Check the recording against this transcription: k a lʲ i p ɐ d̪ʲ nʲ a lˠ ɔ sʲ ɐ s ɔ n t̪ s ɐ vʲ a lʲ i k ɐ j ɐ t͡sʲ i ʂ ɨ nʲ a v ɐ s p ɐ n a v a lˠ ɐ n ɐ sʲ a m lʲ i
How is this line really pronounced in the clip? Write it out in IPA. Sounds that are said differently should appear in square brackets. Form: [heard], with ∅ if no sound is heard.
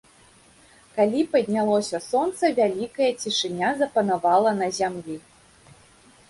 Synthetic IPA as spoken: k a lʲ i p ɐ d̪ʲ nʲ a lˠ ɔ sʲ ɐ s ɔ n t̪ s ɐ vʲ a lʲ i k ɐ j ɐ t͡sʲ i ʂ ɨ nʲ a [z] ɐ [∅] p ɐ n a v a lˠ ɐ n ɐ [zʲ] a m lʲ i